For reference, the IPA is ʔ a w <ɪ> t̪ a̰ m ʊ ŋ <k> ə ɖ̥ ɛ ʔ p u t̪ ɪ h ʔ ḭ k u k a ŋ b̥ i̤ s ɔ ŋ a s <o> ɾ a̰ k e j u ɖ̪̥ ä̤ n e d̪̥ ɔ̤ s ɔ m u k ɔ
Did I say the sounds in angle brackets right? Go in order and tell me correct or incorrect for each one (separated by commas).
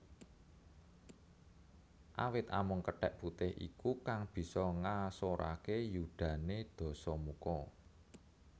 correct, correct, correct